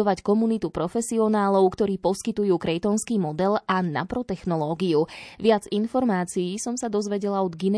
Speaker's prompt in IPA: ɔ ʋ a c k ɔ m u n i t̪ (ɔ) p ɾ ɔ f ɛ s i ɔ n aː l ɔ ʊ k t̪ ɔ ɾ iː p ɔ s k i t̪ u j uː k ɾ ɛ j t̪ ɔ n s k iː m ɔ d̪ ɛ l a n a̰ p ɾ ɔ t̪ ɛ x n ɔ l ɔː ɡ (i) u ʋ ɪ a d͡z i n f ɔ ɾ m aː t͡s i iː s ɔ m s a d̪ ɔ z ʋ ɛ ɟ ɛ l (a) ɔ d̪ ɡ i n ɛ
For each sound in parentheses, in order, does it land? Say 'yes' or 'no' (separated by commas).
no, yes, yes